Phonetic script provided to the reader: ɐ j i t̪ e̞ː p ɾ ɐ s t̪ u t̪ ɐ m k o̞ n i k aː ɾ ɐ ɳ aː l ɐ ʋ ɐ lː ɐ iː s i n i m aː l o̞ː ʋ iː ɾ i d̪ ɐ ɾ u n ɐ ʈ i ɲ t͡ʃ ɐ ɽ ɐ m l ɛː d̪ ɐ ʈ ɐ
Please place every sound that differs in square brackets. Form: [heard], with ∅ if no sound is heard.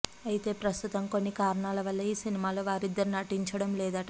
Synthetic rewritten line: ɐ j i t̪ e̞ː p ɾ ɐ s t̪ u t̪ ɐ m k o̞ [nː] i k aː ɾ ɐ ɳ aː l ɐ ʋ ɐ lː ɐ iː s i n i m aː l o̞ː ʋ [aː] ɾ i [d̪ː] ɐ ɾ u n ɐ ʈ i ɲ t͡ʃ ɐ ɽ ɐ m l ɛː d̪ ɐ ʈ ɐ

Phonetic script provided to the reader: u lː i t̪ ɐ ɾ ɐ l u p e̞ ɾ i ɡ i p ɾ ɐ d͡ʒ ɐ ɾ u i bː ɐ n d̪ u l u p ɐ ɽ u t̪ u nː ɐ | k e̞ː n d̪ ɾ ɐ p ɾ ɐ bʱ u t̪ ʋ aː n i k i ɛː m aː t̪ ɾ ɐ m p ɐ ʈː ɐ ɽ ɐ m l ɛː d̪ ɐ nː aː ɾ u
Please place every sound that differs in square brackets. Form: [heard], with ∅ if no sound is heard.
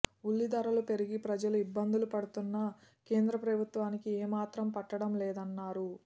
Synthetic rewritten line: u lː i [d̪] ɐ ɾ ɐ l u p e̞ ɾ i ɡ i p ɾ ɐ d͡ʒ ɐ [l] u i bː ɐ n d̪ u l u p ɐ ɽ u t̪ u nː ɐ | k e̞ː n d̪ ɾ ɐ p ɾ ɐ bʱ u t̪ ʋ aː n i k i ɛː m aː t̪ ɾ ɐ m p ɐ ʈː ɐ ɽ ɐ m l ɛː d̪ ɐ nː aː ɾ u

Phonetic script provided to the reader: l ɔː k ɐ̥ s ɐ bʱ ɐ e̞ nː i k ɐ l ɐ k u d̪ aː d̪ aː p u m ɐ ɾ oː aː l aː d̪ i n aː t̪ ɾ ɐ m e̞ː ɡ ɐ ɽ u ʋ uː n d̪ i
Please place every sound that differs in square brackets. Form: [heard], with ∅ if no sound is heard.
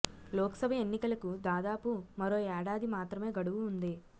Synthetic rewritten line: l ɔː k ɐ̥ s ɐ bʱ ɐ e̞ nː i k ɐ l ɐ k u d̪ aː d̪ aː p u m ɐ ɾ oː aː [ɽ] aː d̪ i [m] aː t̪ ɾ ɐ m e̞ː ɡ ɐ ɽ u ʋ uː n d̪ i

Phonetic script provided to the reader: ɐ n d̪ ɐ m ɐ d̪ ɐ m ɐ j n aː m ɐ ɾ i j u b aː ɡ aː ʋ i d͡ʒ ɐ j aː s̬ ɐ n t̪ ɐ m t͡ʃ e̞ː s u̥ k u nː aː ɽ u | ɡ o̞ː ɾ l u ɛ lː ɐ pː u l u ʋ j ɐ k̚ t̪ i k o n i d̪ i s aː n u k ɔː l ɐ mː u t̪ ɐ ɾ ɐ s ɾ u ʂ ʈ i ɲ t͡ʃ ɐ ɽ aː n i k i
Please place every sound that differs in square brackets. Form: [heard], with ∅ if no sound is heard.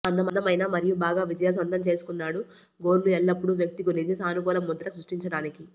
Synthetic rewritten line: ɐ n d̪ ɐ m ɐ d̪ ɐ m ɐ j n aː m ɐ ɾ i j u b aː ɡ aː ʋ i d͡ʒ ɐ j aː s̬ ɐ n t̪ ɐ m t͡ʃ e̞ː s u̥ k u nː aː ɽ u | ɡ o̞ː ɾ l u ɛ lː ɐ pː u [ɽ] u ʋ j ɐ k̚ t̪ i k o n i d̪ i s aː n u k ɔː l ɐ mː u [d̪] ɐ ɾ ɐ s ɾ u ʂ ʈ i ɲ t͡ʃ ɐ ɽ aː n i k i

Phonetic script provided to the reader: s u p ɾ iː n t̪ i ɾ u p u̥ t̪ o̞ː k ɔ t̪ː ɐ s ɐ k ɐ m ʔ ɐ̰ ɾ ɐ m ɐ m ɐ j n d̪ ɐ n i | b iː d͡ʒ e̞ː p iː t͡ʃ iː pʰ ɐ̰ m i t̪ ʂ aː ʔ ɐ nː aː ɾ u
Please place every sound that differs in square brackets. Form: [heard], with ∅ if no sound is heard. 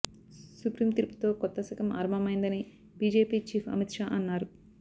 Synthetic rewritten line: s u p ɾ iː [m] t̪ i ɾ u p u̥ t̪ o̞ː k ɔ t̪ː ɐ s ɐ k ɐ m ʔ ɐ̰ ɾ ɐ m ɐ m ɐ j n d̪ ɐ n i | b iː d͡ʒ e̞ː p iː t͡ʃ iː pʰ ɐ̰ m i t̪ ʂ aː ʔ ɐ nː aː ɾ u

